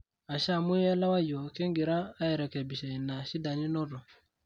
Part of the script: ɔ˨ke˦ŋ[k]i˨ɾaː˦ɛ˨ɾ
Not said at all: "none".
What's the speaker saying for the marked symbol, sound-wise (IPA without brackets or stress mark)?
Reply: ɡ